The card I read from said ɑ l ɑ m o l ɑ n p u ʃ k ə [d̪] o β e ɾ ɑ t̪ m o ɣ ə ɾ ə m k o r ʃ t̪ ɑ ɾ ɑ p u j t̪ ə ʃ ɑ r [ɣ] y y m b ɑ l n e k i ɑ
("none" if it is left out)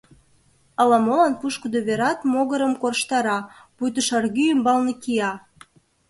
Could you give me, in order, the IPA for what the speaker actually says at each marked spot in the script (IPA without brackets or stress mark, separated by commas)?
d̪, ɣ